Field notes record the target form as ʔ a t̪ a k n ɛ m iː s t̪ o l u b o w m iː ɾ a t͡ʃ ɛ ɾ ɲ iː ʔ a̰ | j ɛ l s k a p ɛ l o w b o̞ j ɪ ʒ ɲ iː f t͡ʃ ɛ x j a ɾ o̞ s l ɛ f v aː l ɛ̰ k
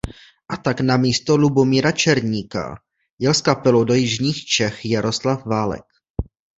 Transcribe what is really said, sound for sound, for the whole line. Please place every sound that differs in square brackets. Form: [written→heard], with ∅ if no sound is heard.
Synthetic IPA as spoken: ʔ a t̪ a k n [ɛ→a] m iː s t̪ o l u b o [w→∅] m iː ɾ a t͡ʃ ɛ ɾ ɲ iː [ʔ→k] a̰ | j ɛ l s k a p ɛ l o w [b→d] o̞ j ɪ ʒ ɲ iː [f→x] t͡ʃ ɛ x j a ɾ o̞ s l [ɛ→a] f v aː l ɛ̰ k